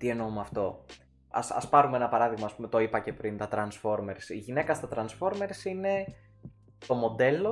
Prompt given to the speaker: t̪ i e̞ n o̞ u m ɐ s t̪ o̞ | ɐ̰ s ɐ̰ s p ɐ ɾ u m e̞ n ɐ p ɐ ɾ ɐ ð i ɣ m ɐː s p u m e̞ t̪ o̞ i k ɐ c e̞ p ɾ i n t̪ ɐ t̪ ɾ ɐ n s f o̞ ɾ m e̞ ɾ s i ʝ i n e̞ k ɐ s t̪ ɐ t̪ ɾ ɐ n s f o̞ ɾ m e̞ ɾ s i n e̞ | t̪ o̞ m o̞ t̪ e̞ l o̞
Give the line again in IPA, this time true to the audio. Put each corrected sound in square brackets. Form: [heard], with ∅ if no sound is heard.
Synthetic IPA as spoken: t̪ i e̞ n o̞ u m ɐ [f] t̪ o̞ | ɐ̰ s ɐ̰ s p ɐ ɾ u m e̞ n ɐ p ɐ ɾ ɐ ð i ɣ m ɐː s p u m e̞ t̪ o̞ i [p] ɐ c e̞ p ɾ i n t̪ ɐ t̪ ɾ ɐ n s f o̞ ɾ m e̞ ɾ s i ʝ i n e̞ k ɐ s t̪ ɐ t̪ ɾ ɐ n s f o̞ ɾ m e̞ ɾ s i n e̞ | t̪ o̞ m o̞ [d̪] e̞ l o̞